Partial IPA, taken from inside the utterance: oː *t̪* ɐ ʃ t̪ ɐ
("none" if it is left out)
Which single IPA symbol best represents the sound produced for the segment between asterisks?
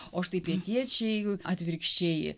none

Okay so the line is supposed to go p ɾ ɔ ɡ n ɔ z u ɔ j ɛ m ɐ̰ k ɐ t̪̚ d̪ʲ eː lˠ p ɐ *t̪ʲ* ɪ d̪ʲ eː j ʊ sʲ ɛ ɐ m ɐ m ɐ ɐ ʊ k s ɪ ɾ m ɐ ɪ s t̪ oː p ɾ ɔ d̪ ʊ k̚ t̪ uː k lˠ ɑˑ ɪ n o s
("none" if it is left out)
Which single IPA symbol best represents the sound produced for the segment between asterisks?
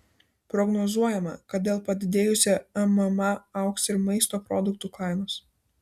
d̪ʲ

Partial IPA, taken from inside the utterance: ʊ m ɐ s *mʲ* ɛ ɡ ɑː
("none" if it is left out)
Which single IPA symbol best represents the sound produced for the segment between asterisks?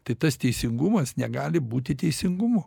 nʲ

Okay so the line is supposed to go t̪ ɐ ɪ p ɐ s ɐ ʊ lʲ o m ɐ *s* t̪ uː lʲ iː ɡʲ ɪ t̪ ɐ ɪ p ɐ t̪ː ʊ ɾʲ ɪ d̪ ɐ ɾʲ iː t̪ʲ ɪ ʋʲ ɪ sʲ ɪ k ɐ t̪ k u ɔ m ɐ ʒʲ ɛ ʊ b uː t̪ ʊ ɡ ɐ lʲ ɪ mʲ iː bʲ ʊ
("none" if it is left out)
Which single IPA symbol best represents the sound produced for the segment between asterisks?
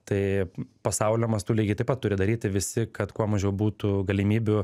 s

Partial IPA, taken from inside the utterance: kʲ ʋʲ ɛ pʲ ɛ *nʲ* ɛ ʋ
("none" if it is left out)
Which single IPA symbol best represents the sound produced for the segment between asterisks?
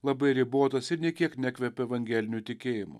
none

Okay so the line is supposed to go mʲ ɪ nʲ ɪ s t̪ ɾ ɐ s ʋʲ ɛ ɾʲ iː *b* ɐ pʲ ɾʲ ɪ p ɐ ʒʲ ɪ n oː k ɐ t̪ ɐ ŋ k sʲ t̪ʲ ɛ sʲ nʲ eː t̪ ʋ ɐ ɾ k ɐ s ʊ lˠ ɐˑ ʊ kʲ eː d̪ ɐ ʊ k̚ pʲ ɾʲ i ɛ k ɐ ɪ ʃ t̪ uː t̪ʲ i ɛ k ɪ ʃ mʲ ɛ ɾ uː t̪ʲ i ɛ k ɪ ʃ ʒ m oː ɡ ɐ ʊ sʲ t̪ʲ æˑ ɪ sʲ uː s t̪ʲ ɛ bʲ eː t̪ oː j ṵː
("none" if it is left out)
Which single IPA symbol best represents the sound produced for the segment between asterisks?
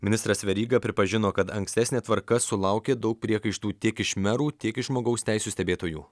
ɡ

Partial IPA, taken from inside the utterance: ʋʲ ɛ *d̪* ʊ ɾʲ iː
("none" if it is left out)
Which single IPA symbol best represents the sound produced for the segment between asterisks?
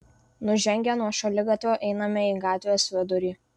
d̪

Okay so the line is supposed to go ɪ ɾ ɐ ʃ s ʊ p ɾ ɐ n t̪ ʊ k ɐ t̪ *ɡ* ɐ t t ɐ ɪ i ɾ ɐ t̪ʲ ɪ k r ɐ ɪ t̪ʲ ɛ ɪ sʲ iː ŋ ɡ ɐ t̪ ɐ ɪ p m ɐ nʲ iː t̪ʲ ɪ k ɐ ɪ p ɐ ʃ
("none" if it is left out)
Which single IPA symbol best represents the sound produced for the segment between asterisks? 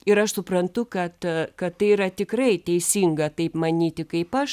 k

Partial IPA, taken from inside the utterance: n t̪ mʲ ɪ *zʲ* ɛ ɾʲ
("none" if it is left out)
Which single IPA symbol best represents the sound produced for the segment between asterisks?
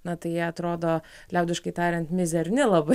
zʲ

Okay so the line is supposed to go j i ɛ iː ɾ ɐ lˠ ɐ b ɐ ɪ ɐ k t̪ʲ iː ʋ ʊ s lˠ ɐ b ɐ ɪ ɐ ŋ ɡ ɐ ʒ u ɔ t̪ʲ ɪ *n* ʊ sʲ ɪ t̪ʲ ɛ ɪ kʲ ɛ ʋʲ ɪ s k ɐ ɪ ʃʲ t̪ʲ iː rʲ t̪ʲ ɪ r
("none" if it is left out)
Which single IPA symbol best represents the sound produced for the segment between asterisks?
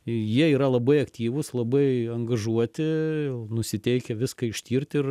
n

